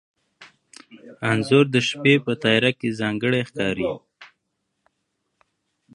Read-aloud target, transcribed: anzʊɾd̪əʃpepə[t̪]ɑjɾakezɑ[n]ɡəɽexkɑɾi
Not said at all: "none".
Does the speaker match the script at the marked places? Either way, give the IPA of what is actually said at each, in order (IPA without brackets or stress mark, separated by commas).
t̪, ŋ